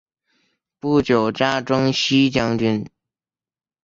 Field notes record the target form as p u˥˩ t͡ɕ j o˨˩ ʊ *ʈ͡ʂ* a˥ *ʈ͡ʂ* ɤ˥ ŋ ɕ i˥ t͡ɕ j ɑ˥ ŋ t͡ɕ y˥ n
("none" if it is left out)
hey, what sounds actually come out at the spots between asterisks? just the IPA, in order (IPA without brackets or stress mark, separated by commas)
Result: ʈ͡ʂ, ʈ͡ʂ